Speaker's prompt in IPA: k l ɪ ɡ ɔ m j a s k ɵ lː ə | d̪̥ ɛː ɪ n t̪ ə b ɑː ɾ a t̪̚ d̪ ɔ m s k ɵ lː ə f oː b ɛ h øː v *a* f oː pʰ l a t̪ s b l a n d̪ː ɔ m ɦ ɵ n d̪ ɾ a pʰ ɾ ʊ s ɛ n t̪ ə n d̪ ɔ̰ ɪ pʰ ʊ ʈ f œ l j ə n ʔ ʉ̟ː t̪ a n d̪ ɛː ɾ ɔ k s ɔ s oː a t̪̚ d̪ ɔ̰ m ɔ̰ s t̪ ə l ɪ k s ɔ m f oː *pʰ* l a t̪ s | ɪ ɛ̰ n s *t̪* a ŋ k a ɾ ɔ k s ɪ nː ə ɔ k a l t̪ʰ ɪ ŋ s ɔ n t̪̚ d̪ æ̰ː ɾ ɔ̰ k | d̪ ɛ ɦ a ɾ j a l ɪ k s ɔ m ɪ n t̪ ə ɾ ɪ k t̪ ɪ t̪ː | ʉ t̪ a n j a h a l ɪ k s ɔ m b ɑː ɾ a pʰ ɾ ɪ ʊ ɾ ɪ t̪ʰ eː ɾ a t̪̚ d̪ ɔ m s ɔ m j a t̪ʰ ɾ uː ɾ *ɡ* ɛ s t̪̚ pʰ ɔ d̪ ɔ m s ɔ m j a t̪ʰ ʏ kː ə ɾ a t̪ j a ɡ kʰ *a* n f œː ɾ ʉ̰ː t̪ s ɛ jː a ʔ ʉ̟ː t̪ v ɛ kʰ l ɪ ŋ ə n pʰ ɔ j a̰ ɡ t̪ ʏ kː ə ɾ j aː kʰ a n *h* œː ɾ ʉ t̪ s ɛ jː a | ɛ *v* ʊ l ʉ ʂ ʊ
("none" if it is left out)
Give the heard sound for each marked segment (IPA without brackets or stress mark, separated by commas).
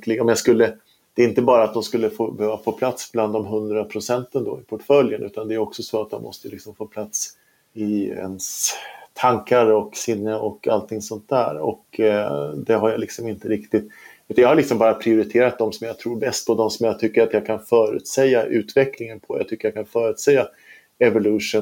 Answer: a, pʰ, t̪ʰ, b, a, f, v